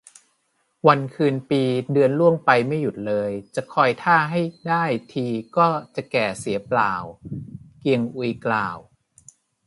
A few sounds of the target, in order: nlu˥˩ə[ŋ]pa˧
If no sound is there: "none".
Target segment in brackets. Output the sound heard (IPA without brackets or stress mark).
ŋ